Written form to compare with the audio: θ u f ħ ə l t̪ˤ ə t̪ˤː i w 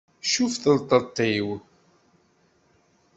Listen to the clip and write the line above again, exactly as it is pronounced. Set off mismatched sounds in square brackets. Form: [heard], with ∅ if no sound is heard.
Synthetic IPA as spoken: [ʃ] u f [θ] ə l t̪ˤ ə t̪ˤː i w